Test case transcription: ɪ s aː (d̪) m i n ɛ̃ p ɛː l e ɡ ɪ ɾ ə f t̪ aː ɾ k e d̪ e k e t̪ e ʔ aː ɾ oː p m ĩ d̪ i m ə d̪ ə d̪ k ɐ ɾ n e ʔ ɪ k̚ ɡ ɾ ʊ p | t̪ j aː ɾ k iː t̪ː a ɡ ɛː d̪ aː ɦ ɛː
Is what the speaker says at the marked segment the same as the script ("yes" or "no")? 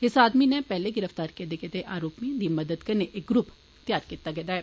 yes